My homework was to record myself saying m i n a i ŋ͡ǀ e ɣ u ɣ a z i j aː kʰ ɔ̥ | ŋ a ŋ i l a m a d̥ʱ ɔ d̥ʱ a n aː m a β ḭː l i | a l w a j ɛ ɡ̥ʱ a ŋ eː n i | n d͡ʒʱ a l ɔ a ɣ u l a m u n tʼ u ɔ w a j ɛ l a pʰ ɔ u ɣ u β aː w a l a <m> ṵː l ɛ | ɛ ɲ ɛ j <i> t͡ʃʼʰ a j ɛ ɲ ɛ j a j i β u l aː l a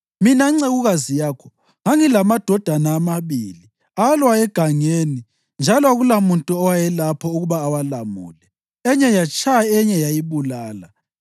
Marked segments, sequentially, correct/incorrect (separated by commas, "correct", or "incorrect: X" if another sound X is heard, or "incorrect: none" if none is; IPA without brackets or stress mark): correct, incorrect: a